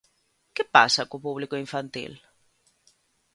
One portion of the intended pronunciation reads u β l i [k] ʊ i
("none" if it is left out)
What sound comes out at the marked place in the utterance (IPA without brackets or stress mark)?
k